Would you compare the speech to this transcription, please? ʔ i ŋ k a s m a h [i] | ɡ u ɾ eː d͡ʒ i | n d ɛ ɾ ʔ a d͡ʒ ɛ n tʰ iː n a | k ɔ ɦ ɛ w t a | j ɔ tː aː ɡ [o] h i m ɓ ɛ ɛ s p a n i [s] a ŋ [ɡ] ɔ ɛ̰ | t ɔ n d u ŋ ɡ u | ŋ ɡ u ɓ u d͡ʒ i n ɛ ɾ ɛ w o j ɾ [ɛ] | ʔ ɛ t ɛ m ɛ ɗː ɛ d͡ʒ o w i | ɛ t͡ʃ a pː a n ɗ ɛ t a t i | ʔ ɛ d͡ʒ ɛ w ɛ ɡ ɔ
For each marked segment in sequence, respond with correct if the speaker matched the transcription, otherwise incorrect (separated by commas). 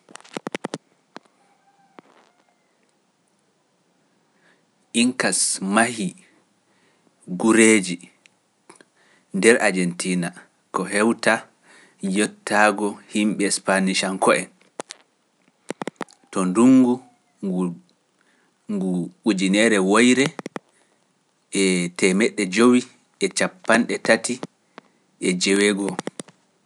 correct, incorrect, incorrect, incorrect, correct